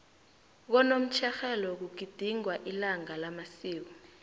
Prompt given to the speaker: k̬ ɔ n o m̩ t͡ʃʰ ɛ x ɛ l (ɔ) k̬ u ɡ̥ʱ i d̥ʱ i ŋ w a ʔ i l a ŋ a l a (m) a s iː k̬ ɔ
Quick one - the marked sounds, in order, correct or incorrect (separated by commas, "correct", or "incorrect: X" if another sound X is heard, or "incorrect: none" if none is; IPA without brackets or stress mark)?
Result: correct, correct